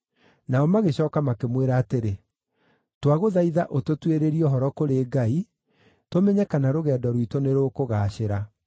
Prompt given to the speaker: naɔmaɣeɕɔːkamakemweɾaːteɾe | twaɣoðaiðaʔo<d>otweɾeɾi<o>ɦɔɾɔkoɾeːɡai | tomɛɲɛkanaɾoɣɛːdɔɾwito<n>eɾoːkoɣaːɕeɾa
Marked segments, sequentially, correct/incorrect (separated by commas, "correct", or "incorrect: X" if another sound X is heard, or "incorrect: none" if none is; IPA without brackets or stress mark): incorrect: t, incorrect: ɔ, correct